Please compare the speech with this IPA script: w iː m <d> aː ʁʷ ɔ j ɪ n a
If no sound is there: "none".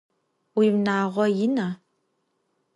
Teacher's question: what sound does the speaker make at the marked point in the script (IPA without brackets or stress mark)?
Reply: n